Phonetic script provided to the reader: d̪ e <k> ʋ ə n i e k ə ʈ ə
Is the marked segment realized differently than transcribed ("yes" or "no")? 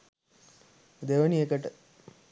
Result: yes